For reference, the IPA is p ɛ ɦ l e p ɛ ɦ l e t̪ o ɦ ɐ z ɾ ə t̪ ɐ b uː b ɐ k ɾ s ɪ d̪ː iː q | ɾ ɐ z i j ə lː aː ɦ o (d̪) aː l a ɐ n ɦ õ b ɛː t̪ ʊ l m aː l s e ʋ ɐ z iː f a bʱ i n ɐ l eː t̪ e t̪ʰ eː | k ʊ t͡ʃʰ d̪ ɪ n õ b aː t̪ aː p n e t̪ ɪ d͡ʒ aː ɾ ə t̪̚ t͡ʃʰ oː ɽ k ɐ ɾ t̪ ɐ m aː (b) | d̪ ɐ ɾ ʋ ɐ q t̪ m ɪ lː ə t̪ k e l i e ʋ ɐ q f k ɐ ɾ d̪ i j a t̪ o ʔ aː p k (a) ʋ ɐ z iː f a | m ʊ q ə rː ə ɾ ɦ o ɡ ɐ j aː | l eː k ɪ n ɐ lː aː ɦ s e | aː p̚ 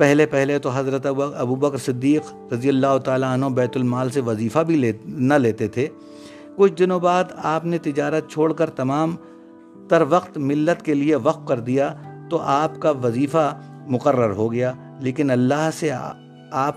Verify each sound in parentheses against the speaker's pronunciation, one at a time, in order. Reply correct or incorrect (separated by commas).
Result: incorrect, incorrect, correct